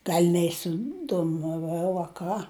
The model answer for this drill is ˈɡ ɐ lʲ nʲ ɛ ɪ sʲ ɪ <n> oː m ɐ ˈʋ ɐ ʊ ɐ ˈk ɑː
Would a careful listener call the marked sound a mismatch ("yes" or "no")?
yes